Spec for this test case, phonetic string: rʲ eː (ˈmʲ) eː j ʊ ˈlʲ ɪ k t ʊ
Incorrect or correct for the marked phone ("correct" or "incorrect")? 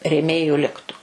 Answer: correct